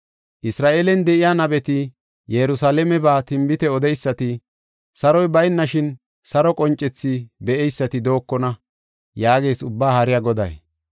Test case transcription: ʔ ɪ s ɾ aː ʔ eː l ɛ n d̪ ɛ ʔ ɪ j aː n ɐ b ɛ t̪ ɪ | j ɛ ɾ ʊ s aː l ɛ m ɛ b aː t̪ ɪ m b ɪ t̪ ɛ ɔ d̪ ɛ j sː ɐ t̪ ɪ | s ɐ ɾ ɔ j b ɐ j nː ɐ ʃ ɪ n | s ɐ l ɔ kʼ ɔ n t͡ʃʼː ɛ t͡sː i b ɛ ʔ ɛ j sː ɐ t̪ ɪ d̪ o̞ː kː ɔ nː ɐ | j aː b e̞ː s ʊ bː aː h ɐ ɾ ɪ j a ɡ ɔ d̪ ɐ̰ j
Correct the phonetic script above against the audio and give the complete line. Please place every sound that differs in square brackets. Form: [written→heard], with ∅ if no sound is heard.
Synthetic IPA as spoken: ʔ ɪ s ɾ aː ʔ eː l ɛ n d̪ ɛ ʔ ɪ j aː n ɐ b ɛ t̪ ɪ | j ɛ ɾ ʊ s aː l ɛ m ɛ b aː t̪ ɪ m b ɪ t̪ ɛ ɔ d̪ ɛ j sː ɐ t̪ ɪ | s ɐ ɾ ɔ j b ɐ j nː ɐ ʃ ɪ n | s ɐ [l→ɾ] ɔ kʼ ɔ n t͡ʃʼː ɛ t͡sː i b ɛ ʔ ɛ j sː ɐ t̪ ɪ d̪ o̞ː kː ɔ [nː→n] ɐ | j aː [b→ɡ] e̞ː s ʊ bː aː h ɐ ɾ ɪ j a ɡ ɔ d̪ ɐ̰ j